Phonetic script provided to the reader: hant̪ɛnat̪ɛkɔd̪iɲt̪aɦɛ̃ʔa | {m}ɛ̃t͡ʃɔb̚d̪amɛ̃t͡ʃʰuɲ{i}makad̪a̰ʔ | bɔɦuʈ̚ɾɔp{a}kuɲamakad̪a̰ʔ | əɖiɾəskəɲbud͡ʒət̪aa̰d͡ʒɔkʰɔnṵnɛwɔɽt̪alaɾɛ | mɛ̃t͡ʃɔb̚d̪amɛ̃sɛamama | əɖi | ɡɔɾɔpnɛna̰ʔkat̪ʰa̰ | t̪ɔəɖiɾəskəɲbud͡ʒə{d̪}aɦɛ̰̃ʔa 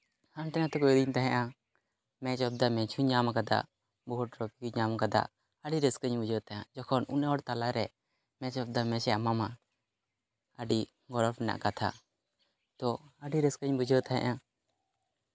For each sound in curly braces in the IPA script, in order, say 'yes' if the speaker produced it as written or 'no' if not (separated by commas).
yes, no, no, no